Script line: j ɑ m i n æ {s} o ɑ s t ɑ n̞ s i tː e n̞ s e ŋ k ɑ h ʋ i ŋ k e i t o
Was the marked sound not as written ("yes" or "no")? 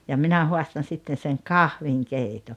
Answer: yes